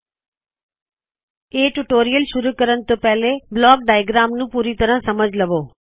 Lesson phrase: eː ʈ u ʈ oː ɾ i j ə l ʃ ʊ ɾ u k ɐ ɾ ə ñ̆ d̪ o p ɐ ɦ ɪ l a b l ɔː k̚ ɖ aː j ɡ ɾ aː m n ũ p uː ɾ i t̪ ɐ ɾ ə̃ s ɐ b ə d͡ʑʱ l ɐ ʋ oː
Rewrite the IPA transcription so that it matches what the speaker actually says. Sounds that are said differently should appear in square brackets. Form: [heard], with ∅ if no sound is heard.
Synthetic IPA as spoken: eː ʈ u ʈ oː ɾ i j ə l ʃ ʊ ɾ u k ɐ ɾ ə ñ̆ [t̪] o p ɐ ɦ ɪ l [e] b l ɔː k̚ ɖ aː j ɡ ɾ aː m n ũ p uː ɾ i t̪ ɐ ɾ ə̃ s ɐ [m] ə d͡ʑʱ l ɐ ʋ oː